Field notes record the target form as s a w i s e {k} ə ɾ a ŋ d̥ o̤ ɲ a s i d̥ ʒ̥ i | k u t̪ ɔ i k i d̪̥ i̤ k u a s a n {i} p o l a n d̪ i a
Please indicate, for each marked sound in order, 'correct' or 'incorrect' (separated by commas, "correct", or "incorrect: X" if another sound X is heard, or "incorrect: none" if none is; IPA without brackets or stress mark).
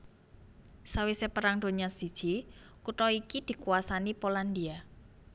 incorrect: p, correct